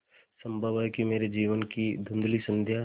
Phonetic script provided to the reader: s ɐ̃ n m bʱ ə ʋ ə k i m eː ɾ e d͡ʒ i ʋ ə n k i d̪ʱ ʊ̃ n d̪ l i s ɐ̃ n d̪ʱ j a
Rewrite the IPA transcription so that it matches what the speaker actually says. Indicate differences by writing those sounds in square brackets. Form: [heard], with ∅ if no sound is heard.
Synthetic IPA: s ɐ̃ [∅] m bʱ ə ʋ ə k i m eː ɾ e d͡ʒ [iː] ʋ ə n k i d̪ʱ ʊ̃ n d̪ l i s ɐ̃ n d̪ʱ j a